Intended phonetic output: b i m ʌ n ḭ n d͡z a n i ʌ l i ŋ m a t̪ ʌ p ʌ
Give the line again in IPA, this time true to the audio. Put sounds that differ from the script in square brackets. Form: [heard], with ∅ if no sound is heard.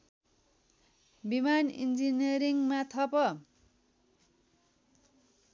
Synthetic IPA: b i m [a] n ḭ n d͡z [i] n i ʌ [ɾ] i ŋ m a [t̪ʰ] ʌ p ʌ